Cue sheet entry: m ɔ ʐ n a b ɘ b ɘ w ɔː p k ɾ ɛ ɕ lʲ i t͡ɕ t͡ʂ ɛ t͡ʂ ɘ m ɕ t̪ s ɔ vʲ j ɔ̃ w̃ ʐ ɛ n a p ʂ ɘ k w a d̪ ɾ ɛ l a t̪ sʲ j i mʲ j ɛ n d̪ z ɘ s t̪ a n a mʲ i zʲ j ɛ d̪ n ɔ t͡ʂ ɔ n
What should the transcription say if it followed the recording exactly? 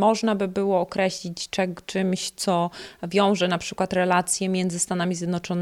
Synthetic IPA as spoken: m ɔ ʐ n a b ɘ b ɘ w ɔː k ɾ ɛ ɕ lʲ i t͡ɕ t͡ʂ ɛ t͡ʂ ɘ m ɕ t̪ s ɔ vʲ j ɔ̃ w̃ ʐ ɛ n a p ʂ ɘ k w a t̪ ɾ ɛ l a t̪ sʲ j ɛ mʲ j ɛ n d̪ z ɘ s t̪ a n a mʲ i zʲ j ɛ d̪ n ɔ t͡ʂ ɔ n